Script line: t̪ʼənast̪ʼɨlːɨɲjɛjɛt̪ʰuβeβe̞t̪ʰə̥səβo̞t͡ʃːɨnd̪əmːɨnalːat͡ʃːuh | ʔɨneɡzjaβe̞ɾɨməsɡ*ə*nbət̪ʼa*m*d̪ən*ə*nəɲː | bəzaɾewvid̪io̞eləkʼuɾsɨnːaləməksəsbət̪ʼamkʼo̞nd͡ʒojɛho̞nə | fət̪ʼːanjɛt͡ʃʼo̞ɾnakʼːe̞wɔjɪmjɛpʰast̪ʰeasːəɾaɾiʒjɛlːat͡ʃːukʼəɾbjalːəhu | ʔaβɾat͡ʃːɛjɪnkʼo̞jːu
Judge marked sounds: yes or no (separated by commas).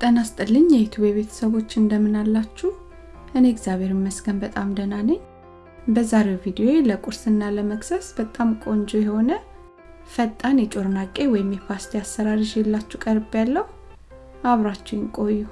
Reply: yes, yes, no